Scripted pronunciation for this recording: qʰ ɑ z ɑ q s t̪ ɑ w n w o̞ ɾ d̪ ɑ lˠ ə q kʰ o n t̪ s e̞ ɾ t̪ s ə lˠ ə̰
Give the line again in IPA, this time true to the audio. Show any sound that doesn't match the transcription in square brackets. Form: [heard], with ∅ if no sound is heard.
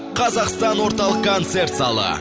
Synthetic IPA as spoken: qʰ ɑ z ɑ q s t̪ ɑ [∅] n w o̞ ɾ [t̪] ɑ lˠ ə q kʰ o n t̪ s e̞ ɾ t̪ s [ɑ] lˠ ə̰

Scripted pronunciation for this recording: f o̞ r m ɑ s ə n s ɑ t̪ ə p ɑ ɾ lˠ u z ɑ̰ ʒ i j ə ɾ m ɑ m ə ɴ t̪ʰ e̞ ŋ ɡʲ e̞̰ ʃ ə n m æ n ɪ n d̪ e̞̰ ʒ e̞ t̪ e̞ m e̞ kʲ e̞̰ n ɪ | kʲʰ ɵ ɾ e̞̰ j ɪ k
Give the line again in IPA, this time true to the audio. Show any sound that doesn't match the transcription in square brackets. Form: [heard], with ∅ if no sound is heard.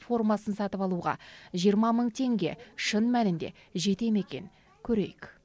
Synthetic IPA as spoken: f o̞ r m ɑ s ə n s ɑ t̪ ə p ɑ [∅] lˠ u [ʁ] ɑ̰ ʒ i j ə ɾ m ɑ m ə ɴ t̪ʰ e̞ ŋ ɡʲ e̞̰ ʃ ə n m æ n ɪ n d̪ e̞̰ ʒ e̞ t̪ e̞ m e̞ kʲ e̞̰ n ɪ | kʲʰ ɵ ɾ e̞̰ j ɪ k

